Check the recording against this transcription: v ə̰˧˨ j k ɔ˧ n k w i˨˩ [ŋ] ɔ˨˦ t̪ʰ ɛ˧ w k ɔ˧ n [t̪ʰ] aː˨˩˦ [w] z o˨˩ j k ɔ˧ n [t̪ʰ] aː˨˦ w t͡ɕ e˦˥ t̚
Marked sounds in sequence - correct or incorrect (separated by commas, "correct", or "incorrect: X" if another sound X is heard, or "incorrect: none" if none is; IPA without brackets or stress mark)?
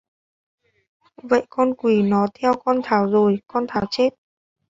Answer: incorrect: n, correct, correct, correct